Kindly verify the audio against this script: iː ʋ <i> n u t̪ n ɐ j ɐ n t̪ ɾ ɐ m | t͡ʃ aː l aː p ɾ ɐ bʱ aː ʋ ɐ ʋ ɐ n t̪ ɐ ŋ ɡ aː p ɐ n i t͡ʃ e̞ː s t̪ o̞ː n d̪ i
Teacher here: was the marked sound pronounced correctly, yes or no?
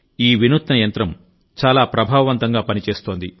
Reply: yes